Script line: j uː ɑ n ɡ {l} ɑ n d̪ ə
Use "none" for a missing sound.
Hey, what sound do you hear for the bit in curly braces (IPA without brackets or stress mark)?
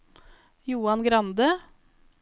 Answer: ɾ